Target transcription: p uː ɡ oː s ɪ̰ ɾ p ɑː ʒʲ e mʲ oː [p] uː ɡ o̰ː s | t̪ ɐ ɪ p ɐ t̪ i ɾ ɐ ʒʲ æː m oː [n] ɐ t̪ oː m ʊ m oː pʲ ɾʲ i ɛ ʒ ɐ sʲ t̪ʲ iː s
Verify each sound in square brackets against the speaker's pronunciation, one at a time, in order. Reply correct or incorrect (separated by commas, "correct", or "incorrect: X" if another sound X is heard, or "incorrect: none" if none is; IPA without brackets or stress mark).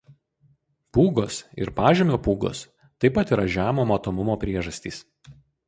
correct, incorrect: m